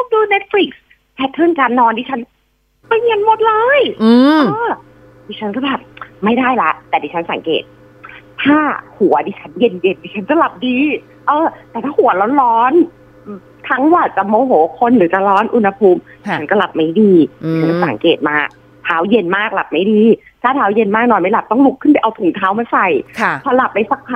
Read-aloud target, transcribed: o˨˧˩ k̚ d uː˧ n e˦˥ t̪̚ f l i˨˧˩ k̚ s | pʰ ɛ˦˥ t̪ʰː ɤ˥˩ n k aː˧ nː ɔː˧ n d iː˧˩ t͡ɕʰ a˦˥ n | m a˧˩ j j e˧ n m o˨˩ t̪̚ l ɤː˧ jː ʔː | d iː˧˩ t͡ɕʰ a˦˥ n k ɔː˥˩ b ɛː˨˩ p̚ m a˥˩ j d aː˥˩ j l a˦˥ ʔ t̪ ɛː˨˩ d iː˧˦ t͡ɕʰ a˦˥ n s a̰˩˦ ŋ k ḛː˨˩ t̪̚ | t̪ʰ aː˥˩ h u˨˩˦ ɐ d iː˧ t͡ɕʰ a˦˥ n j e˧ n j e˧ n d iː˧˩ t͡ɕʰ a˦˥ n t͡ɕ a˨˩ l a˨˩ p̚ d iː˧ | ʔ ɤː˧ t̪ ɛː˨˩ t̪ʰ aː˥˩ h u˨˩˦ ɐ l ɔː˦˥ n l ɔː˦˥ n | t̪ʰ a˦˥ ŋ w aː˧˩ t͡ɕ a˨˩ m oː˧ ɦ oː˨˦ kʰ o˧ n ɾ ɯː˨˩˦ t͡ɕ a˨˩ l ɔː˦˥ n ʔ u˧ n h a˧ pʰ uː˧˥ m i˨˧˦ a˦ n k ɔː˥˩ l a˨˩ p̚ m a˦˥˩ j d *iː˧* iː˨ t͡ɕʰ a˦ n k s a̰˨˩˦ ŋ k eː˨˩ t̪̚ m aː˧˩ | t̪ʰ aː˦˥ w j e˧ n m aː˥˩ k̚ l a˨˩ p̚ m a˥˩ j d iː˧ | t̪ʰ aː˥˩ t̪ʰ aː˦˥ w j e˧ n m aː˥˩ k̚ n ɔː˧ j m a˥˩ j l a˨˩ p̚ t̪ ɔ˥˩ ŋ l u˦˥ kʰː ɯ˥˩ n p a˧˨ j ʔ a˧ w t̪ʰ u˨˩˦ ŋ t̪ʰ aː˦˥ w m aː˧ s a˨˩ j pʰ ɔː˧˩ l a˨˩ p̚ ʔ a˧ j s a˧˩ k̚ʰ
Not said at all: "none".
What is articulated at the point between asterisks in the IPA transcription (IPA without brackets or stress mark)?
iː˧